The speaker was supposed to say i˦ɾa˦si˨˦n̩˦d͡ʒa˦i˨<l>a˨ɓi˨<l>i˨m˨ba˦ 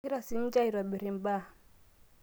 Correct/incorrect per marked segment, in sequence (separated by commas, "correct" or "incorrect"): incorrect, incorrect